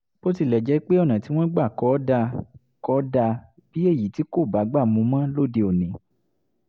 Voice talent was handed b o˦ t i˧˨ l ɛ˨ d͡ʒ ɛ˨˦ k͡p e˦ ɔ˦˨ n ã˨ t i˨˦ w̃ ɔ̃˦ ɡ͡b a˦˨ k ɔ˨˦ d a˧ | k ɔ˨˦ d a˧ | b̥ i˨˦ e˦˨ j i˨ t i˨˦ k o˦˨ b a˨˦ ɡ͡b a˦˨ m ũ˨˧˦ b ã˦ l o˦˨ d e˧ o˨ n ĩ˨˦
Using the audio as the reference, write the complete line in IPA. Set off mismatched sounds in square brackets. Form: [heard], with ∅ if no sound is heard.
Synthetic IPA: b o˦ t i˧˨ l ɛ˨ d͡ʒ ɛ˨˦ k͡p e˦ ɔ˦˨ n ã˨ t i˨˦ w̃ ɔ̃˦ ɡ͡b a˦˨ k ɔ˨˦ d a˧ | k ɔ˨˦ d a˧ | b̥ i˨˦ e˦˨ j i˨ t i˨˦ k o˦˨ b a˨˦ ɡ͡b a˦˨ m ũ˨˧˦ [m] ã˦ l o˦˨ d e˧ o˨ n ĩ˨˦